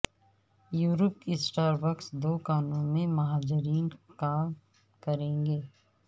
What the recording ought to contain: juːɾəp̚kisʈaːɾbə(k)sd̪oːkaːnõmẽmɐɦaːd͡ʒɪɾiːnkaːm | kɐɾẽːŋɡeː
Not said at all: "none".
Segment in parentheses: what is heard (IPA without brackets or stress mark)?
k